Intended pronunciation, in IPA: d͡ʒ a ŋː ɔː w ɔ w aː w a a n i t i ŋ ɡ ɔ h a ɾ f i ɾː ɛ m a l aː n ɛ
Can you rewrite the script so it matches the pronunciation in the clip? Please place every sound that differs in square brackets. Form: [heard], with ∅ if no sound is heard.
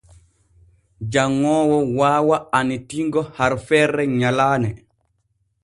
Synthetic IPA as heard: d͡ʒ a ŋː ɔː w ɔ w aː w a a n i t i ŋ ɡ ɔ h a ɾ f [ɛ] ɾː ɛ [ɲ] a l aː n ɛ